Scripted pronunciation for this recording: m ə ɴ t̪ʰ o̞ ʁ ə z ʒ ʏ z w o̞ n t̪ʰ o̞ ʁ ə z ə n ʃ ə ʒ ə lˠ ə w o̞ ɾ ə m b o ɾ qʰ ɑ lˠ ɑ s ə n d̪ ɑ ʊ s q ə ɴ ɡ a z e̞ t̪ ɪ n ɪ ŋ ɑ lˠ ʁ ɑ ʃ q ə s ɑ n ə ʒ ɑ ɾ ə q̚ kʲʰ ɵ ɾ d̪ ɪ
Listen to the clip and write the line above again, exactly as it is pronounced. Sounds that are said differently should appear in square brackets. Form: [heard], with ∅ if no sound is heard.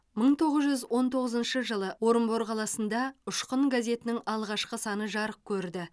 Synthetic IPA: m ə ɴ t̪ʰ o̞ ʁ ə z ʒ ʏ z w o̞ n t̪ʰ o̞ ʁ ə z ə n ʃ ə ʒ ə lˠ ə w o̞ ɾ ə m b o ɾ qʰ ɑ lˠ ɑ s ə n d̪ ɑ ʊ [ʃ] q ə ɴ ɡ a z e̞ t̪ ɪ n ɪ ŋ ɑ lˠ ʁ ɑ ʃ q ə s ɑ n ə ʒ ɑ ɾ ə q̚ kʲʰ ɵ ɾ d̪ ɪ